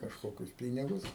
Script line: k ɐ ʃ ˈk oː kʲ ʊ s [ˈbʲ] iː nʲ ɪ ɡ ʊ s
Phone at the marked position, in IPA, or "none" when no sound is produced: pʲ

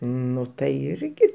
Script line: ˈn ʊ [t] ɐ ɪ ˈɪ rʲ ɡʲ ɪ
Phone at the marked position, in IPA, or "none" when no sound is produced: t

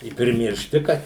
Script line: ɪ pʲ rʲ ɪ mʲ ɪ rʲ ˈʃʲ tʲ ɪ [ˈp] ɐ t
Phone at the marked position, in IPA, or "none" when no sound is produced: k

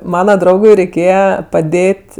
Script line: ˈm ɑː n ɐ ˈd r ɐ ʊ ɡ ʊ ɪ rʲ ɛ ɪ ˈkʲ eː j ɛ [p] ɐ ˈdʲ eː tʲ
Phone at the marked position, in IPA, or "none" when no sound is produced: p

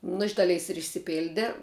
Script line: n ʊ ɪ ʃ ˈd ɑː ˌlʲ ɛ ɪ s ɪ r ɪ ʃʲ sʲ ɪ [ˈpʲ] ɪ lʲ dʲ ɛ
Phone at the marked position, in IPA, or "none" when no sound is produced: pʲ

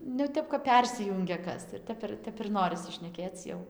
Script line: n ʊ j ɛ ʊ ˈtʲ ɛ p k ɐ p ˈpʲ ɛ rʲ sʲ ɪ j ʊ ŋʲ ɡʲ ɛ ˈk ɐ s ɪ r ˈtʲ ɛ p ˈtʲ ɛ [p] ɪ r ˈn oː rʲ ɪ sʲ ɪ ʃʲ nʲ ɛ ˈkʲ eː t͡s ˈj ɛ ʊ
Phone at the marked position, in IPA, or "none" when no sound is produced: p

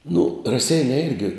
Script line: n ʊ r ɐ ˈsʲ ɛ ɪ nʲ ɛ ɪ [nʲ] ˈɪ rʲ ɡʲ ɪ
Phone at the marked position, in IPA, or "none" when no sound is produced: none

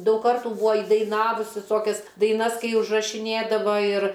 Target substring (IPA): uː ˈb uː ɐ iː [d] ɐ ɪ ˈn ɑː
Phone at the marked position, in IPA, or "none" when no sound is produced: d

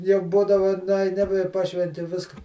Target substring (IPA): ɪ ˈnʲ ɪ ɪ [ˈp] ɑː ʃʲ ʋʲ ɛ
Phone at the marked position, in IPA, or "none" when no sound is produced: p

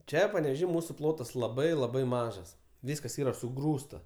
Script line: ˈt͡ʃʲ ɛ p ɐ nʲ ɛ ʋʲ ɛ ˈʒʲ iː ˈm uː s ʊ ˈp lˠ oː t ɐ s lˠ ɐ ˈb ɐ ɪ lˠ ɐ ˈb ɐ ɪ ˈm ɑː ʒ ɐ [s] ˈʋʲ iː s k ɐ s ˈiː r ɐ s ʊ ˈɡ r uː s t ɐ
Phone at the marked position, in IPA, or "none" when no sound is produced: s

